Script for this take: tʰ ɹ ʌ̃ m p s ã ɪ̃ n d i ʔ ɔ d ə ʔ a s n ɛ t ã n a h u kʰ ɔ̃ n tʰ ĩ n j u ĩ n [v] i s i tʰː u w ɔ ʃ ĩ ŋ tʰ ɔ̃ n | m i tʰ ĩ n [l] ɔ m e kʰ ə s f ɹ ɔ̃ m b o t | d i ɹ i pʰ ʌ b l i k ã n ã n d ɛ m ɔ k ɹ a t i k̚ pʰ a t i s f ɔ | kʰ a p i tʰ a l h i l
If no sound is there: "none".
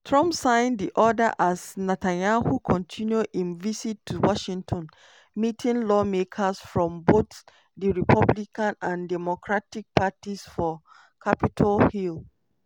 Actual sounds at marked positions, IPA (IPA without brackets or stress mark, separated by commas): v, l